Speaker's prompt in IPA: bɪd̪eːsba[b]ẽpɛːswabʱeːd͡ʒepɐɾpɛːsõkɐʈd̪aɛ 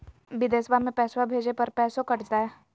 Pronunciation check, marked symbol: incorrect: m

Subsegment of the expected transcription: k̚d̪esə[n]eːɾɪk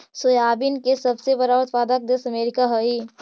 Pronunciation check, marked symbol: incorrect: m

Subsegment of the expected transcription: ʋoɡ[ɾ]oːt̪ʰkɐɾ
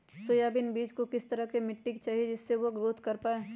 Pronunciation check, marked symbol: correct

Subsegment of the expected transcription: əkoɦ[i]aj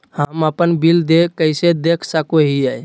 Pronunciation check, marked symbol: correct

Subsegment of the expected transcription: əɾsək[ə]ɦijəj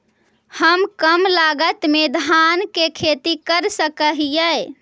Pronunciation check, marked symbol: correct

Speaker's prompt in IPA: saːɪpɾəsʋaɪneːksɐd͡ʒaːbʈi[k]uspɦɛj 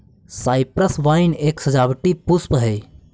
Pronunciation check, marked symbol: incorrect: p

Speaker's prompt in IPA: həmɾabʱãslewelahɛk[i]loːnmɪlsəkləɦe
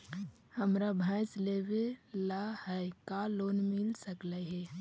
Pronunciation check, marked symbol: incorrect: a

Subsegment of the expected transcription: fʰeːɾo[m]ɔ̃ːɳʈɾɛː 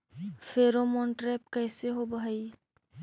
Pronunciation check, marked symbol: correct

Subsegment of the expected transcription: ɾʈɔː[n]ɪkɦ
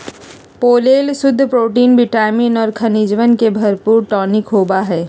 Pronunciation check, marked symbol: correct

